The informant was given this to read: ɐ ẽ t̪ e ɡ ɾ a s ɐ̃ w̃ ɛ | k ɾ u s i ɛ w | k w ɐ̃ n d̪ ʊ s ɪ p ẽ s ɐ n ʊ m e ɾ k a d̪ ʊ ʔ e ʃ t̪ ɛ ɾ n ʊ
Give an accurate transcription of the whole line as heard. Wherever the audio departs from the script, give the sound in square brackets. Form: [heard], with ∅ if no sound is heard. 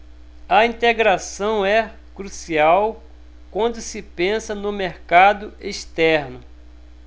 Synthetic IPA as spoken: ɐ [ĩ] t̪ e ɡ ɾ a s ɐ̃ w̃ ɛ | k ɾ u s i [a] w | k w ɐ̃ n d̪ ʊ s ɪ p ẽ s ɐ n ʊ m e ɾ k a d̪ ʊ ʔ e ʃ t̪ ɛ ɾ n ʊ

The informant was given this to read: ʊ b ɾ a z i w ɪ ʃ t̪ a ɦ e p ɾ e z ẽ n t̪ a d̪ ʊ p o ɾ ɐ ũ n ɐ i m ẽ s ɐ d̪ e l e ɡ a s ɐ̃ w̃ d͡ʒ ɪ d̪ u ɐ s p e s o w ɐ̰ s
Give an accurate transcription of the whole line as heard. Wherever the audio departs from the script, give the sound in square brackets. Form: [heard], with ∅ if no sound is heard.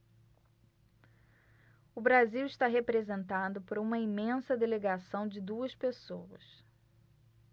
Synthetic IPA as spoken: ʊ b ɾ a z i w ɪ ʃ t̪ a ɦ e p ɾ e z ẽ n t̪ a d̪ ʊ p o ɾ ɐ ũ [m] ɐ i m ẽ s ɐ d̪ e l e ɡ a s ɐ̃ w̃ d͡ʒ ɪ d̪ u ɐ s p e s o w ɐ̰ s

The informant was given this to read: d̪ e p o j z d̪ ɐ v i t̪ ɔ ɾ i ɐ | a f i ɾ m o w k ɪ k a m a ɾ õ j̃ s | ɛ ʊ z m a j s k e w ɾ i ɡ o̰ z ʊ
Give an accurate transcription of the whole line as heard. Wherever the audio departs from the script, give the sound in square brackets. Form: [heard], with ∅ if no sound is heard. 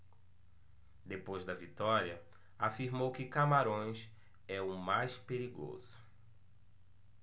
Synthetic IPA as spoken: d̪ e p o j z d̪ ɐ v i t̪ ɔ ɾ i ɐ | a f i ɾ m o w k ɪ k a m a ɾ õ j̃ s | ɛ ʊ [∅] m a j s [p] e [∅] ɾ i ɡ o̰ z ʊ

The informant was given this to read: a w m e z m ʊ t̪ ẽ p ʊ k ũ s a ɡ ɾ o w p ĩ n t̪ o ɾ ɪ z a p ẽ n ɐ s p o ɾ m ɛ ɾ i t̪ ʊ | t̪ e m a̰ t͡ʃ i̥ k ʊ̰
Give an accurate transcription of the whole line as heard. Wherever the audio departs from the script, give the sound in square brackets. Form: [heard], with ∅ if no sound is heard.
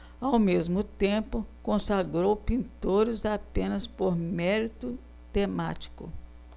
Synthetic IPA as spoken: a w m e z m ʊ t̪ ẽ p ʊ k [õ] s a ɡ ɾ o w p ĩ n t̪ o ɾ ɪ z a p ẽ n ɐ s p o ɾ m ɛ ɾ i t̪ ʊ | t̪ e m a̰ t͡ʃ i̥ k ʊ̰

